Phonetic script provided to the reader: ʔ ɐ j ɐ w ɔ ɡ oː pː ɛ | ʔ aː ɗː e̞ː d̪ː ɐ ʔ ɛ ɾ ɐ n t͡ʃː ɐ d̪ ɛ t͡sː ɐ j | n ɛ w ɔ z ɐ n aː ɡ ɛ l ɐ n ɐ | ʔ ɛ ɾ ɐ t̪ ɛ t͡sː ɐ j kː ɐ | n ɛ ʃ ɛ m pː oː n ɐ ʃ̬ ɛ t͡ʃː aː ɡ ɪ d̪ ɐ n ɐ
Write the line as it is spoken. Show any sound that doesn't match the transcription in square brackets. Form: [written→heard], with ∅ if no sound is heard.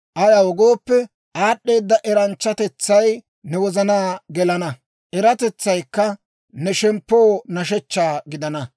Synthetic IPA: ʔ ɐ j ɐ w ɔ ɡ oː pː ɛ | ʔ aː ɗː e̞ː d̪ː ɐ ʔ ɛ ɾ ɐ n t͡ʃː ɐ [d̪→t̪] ɛ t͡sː ɐ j | n ɛ w ɔ z ɐ n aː ɡ ɛ l ɐ n ɐ | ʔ ɛ ɾ ɐ t̪ ɛ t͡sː ɐ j kː ɐ | n ɛ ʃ ɛ m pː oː n ɐ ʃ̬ ɛ t͡ʃː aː ɡ ɪ d̪ ɐ n ɐ